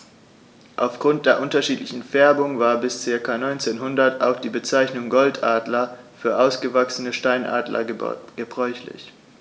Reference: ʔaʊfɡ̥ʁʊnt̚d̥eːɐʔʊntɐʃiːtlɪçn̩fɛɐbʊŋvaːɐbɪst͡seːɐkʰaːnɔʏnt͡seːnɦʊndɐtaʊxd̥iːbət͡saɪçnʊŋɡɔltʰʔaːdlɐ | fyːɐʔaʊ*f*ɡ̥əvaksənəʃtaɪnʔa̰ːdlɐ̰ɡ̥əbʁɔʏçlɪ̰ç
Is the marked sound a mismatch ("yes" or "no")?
yes